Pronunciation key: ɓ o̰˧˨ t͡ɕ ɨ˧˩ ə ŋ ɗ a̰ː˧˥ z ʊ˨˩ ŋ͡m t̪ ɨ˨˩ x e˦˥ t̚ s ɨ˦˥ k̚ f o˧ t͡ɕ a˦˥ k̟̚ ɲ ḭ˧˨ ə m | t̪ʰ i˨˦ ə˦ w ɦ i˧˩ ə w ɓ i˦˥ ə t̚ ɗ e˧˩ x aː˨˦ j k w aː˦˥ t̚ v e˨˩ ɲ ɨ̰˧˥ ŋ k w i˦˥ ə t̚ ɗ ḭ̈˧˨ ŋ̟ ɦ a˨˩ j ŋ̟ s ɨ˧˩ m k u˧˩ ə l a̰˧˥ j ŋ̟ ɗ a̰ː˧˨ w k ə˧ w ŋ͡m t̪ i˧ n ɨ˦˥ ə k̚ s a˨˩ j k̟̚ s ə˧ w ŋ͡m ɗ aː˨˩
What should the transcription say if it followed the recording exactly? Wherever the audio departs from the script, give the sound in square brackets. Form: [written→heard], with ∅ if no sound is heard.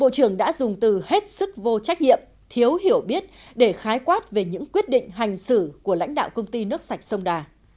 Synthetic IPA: ɓ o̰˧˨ t͡ɕ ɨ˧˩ ə ŋ ɗ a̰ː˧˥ z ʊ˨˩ ŋ͡m t̪ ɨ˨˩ [x→h] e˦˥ t̚ s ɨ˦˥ k̚ [f→v] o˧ t͡ɕ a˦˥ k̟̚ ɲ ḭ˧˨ ə m | t̪ʰ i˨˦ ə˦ w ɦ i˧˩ ə w ɓ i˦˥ ə t̚ ɗ e˧˩ x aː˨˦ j k w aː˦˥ t̚ v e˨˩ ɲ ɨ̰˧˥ ŋ k w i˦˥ ə t̚ ɗ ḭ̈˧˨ ŋ̟ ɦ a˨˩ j ŋ̟ s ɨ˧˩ [m→∅] k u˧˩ ə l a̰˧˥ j ŋ̟ ɗ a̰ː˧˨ w k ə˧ w ŋ͡m t̪ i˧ n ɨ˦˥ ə k̚ s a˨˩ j k̟̚ s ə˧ w ŋ͡m ɗ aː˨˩